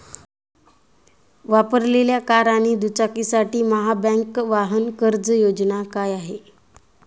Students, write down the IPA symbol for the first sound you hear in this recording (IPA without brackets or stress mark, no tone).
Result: ʋ